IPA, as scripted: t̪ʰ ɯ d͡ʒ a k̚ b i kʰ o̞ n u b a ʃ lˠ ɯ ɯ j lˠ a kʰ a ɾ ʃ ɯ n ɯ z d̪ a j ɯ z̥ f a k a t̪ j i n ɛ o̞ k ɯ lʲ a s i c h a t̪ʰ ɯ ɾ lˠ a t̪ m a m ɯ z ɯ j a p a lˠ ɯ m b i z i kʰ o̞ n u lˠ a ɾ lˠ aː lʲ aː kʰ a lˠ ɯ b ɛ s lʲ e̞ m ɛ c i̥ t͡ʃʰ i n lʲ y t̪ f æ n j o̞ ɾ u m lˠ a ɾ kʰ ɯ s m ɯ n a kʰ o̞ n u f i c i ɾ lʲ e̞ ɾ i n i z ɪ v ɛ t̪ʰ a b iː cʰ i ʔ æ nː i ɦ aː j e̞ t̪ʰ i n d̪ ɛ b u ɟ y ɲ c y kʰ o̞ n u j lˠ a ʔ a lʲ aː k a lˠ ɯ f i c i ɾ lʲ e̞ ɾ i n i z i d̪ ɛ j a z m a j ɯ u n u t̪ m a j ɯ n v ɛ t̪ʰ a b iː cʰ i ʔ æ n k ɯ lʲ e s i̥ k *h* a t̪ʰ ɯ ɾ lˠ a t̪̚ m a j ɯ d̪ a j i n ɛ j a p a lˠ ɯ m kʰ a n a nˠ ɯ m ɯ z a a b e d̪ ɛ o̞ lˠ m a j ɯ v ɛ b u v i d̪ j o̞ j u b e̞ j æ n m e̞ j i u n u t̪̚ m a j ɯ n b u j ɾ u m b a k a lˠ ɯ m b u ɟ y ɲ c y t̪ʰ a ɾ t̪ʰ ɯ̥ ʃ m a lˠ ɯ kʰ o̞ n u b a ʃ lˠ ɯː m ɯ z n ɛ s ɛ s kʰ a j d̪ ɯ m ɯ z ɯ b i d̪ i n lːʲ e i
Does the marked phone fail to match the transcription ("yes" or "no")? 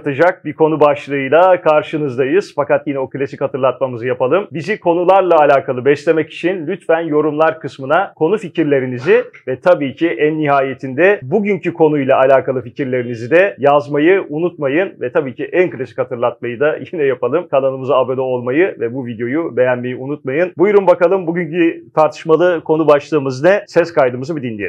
no